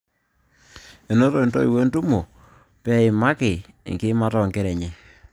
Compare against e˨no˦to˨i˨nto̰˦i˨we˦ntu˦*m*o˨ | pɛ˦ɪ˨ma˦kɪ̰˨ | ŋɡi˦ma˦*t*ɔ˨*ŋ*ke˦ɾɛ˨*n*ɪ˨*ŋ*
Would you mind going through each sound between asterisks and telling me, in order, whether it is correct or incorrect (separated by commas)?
correct, correct, correct, incorrect, incorrect